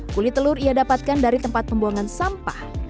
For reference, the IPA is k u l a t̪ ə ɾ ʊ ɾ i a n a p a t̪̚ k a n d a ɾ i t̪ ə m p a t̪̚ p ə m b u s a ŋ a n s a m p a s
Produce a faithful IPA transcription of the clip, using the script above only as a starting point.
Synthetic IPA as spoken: k u l i t̪ ə l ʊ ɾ i a d a p a t̪̚ k a n d a ɾ i t̪ ə m p a t̪̚ p ə m b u a ŋ a n s a m p a h